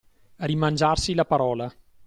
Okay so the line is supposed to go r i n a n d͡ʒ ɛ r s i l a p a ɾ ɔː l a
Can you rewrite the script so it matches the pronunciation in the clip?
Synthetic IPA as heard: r i m a n d͡ʒ a r s i l a p a ɾ ɔː l a